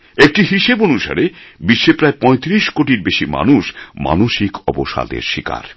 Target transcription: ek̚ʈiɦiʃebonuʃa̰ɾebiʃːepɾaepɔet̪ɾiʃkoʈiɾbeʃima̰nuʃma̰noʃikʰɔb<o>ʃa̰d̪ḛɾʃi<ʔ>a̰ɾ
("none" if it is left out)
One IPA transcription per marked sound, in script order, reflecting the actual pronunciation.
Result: o, k

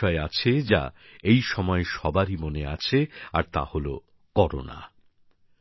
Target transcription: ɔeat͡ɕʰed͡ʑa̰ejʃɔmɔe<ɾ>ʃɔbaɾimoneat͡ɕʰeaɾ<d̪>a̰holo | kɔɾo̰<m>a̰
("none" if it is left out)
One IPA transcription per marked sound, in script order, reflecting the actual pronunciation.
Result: none, t̪, n

